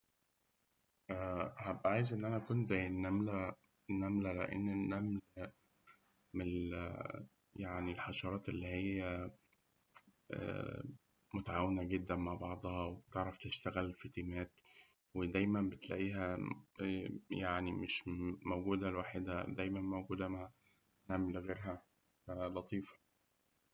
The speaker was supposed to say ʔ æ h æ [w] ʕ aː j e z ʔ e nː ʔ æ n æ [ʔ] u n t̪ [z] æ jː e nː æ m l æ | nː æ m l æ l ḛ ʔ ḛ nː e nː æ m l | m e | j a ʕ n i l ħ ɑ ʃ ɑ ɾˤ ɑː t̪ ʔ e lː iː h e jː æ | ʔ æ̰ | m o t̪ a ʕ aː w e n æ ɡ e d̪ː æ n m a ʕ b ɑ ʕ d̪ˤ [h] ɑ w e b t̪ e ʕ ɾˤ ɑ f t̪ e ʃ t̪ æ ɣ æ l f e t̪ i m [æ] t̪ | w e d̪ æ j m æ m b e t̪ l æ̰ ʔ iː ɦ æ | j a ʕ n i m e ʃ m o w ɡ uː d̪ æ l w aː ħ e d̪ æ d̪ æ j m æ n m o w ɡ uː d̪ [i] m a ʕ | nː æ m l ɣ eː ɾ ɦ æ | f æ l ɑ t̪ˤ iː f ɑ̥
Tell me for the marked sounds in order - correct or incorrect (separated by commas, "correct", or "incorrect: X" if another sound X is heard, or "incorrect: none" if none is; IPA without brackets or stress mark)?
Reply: incorrect: b, incorrect: k, correct, correct, incorrect: æː, incorrect: æ